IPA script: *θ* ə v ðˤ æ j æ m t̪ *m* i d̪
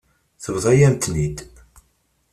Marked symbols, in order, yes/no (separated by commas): yes, no